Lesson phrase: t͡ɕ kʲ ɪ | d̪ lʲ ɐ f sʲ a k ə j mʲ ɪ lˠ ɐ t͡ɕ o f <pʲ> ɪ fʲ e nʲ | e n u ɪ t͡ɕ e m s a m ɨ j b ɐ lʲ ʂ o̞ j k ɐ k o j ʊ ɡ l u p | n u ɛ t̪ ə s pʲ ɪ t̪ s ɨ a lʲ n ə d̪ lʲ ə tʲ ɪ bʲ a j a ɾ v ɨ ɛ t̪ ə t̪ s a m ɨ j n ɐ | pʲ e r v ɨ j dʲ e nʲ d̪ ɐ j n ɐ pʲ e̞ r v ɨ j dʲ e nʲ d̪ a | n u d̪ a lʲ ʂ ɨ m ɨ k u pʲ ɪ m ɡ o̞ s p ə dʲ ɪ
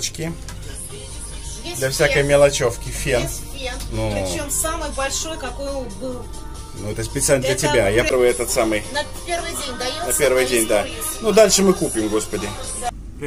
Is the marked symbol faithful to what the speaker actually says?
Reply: no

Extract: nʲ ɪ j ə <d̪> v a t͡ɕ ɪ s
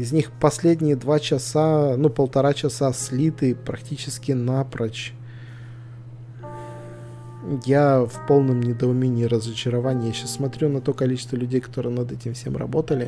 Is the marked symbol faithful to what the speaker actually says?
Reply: yes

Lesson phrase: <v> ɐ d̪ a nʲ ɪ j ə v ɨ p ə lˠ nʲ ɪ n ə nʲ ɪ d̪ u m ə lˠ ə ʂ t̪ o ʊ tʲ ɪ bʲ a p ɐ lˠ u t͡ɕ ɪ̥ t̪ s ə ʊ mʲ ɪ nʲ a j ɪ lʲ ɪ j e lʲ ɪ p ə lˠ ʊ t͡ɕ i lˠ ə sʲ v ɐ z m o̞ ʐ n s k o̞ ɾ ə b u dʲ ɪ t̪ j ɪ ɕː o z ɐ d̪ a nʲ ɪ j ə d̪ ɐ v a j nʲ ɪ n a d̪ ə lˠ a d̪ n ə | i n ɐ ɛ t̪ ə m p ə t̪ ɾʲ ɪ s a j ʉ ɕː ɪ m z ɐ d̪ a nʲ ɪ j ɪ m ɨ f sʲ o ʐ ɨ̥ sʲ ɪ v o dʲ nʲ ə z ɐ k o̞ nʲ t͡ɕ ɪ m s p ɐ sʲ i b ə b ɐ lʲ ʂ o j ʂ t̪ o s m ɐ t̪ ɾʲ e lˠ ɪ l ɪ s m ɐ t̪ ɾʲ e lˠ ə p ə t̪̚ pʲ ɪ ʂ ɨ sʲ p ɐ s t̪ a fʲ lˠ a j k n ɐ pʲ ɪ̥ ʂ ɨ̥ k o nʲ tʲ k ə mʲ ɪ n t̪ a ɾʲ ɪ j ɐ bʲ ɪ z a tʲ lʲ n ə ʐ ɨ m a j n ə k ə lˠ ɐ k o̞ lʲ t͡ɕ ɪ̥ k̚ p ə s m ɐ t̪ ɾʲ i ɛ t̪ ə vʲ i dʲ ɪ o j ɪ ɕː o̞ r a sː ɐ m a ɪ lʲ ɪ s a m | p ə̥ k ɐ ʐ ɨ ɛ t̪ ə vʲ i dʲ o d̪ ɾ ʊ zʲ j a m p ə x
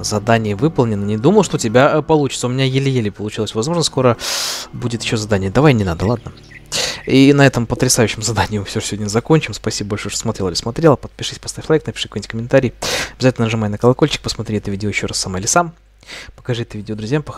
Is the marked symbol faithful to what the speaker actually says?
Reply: no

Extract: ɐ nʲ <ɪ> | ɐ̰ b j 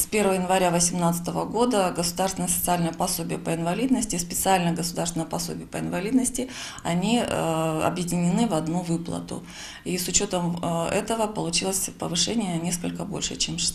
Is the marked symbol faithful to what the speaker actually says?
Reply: no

